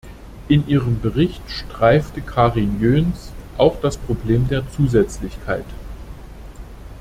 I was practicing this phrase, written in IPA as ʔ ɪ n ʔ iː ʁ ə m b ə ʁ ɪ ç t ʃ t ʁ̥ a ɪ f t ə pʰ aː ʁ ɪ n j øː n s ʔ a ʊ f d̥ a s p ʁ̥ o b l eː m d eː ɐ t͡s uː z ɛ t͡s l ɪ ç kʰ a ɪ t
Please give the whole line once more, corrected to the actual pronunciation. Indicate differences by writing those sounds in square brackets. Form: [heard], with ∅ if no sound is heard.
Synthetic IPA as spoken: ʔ ɪ n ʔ iː ʁ ə m b ə ʁ ɪ ç t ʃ t ʁ̥ a ɪ f t ə [kʰ] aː ʁ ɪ n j øː n s ʔ a ʊ [x] d̥ a s p ʁ̥ o b l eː m d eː ɐ t͡s uː z ɛ t͡s l ɪ ç kʰ a ɪ t